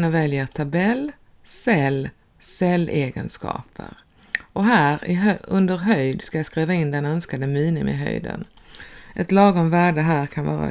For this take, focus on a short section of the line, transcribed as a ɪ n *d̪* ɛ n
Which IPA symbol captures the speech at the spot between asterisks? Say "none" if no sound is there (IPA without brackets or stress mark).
d̪